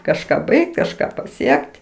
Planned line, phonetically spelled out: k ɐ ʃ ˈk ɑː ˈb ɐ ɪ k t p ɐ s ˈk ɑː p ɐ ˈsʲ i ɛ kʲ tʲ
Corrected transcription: k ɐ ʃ ˈk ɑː ˈb ɐ ɪ k t k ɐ ʃ ˈk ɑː p ɐ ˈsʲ i ɛ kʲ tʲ